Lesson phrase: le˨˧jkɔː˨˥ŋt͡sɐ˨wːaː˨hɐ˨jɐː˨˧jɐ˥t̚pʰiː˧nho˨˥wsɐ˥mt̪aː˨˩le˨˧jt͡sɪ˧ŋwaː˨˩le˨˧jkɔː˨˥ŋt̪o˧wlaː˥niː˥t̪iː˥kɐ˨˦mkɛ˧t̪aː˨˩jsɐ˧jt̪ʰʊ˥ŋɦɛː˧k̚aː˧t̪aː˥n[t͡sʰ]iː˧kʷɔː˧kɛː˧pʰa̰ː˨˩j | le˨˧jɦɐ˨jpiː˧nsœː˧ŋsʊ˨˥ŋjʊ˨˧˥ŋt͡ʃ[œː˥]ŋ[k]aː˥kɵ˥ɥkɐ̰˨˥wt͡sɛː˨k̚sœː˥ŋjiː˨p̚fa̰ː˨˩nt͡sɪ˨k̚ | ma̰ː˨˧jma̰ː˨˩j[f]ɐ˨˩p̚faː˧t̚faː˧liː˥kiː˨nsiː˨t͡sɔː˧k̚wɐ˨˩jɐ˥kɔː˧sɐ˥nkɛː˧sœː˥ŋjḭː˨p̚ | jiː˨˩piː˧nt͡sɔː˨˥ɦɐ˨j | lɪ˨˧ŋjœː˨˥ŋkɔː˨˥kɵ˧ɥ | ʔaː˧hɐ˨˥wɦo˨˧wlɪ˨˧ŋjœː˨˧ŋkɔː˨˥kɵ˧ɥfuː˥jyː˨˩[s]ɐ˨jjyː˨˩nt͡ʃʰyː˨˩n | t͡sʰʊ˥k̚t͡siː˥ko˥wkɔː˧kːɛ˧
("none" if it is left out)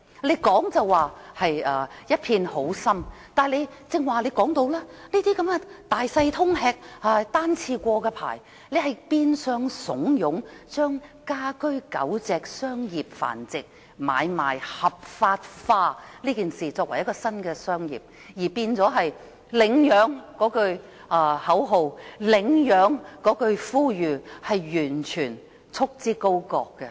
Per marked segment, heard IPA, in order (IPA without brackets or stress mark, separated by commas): t͡sʰ, œː˥, k, h, h